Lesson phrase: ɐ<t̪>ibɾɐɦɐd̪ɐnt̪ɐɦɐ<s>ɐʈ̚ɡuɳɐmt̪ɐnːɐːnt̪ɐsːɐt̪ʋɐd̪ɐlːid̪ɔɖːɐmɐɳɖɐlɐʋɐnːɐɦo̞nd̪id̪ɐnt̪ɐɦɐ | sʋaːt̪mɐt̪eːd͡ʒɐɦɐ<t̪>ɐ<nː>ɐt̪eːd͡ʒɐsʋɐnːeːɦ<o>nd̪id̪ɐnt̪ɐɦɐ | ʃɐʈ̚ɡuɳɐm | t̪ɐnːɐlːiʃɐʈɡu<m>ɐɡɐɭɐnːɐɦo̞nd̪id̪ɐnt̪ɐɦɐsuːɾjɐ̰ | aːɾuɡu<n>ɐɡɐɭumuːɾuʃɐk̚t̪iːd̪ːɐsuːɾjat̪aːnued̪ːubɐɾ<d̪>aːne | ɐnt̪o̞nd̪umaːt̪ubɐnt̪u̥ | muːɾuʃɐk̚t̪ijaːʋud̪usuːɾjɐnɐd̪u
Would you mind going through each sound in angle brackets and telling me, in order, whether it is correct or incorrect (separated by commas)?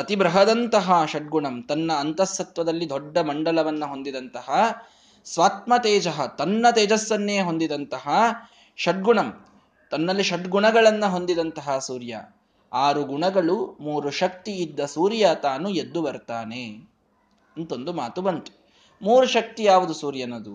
correct, incorrect, correct, correct, correct, incorrect, incorrect, incorrect